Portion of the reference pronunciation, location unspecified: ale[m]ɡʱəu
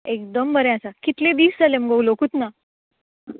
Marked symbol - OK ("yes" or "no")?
yes